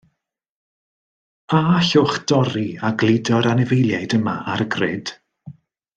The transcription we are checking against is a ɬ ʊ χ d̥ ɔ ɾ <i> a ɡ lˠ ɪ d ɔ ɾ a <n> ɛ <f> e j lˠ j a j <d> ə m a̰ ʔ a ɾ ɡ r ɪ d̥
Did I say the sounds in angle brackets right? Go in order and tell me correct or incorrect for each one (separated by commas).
correct, correct, incorrect, correct